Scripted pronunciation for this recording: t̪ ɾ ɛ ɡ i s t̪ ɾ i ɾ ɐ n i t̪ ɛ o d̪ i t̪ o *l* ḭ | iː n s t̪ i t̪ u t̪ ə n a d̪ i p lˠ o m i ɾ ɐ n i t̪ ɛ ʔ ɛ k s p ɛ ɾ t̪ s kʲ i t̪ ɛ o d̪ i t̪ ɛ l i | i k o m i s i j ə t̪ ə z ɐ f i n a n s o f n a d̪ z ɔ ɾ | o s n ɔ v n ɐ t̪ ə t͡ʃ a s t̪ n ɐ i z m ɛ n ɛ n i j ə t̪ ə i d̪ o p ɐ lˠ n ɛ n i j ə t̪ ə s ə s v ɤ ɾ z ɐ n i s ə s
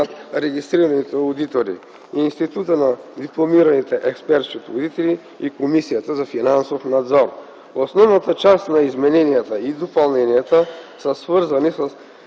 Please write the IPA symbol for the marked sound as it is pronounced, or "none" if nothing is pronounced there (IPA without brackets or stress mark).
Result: ɾ